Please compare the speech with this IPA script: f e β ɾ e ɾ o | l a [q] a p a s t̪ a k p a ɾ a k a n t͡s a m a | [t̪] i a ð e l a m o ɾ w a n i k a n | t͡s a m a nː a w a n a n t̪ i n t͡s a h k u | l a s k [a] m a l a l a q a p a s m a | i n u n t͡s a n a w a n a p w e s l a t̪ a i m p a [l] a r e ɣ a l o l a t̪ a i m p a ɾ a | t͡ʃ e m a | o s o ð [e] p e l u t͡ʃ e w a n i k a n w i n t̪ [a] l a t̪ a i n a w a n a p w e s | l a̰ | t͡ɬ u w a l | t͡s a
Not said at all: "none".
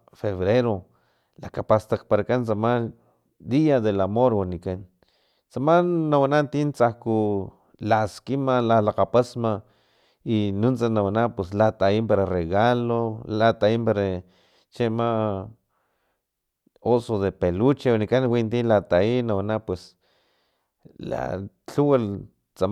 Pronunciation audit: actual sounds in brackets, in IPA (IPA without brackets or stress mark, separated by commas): k, d̪, i, ɾ, e, i